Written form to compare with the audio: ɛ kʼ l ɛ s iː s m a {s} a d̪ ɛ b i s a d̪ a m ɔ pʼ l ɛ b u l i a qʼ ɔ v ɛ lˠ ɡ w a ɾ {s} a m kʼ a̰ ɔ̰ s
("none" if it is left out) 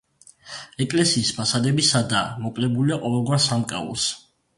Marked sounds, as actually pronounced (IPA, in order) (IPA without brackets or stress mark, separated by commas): s, s